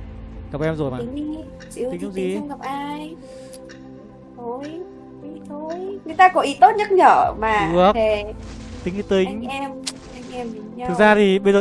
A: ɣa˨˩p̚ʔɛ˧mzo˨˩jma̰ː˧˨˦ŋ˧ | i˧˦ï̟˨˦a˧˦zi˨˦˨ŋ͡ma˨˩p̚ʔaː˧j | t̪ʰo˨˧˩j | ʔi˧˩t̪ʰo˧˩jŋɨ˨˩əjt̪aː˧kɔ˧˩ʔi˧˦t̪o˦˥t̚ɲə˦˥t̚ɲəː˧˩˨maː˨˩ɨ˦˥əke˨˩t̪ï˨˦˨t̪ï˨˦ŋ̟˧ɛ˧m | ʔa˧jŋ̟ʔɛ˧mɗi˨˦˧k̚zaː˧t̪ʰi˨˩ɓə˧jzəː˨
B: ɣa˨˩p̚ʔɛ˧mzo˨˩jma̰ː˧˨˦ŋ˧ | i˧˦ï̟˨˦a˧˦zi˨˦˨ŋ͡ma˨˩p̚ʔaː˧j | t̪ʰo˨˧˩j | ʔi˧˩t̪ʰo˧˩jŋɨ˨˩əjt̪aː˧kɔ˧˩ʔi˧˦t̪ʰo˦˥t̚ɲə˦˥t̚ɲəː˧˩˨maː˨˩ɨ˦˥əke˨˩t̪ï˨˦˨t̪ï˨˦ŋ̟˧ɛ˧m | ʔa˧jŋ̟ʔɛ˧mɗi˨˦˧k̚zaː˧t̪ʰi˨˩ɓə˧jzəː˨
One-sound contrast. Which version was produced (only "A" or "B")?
A